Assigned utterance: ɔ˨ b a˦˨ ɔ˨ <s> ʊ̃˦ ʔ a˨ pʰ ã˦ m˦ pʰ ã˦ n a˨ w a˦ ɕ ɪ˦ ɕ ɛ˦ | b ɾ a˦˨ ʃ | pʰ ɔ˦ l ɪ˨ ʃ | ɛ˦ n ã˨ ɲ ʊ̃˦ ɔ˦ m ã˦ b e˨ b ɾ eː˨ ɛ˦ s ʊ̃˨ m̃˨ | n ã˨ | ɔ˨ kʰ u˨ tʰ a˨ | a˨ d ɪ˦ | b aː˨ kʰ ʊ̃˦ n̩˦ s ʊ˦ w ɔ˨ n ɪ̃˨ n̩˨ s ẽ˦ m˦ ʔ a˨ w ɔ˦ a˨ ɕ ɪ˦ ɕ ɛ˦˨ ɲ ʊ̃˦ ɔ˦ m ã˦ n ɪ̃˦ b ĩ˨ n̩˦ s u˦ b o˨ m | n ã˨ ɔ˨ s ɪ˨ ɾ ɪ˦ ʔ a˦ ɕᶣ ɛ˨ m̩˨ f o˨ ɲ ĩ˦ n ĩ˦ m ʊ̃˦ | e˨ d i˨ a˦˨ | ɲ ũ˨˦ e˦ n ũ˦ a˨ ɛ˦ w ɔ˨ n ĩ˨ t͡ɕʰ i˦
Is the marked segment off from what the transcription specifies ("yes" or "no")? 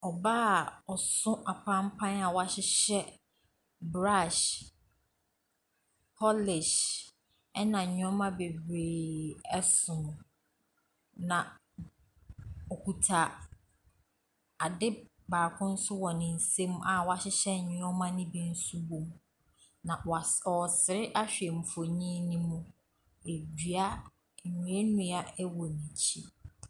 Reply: no